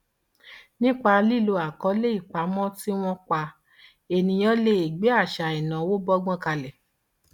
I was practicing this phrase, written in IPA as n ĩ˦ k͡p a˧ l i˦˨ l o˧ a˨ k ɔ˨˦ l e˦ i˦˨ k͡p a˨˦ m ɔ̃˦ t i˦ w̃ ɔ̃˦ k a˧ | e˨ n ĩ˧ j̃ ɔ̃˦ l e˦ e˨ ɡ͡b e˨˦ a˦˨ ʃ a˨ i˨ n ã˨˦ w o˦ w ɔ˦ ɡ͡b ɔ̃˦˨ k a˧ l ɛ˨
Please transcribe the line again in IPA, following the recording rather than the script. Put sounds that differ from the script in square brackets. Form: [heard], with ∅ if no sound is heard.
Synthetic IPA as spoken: n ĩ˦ k͡p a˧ l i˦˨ l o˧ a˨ k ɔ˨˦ l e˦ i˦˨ k͡p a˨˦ m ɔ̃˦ t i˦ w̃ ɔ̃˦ [k͡p] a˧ | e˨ n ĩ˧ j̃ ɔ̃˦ l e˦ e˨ ɡ͡b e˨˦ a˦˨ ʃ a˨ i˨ n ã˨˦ w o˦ [b] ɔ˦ ɡ͡b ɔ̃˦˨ k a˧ l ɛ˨